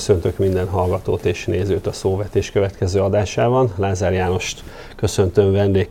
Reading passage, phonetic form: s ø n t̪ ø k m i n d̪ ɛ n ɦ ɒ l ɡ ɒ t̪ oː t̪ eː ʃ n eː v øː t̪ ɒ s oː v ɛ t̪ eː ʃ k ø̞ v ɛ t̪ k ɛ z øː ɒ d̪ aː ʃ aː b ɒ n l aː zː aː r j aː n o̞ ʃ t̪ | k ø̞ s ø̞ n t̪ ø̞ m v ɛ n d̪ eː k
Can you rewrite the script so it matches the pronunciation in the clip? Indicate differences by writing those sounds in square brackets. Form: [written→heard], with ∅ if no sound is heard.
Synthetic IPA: s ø n t̪ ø k m i n d̪ ɛ n ɦ ɒ l ɡ ɒ t̪ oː t̪ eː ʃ n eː [v→z] øː t̪ ɒ s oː v ɛ t̪ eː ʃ k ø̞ v ɛ t̪ k ɛ z øː ɒ d̪ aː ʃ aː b ɒ n l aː [zː→z] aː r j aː n o̞ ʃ t̪ | k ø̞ s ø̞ n t̪ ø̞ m v ɛ n d̪ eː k